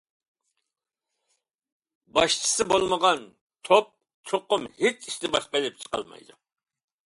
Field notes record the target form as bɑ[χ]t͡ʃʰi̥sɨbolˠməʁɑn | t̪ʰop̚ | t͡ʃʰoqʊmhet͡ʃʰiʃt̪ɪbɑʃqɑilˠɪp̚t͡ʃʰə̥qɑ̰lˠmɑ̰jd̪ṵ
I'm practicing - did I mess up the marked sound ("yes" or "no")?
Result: yes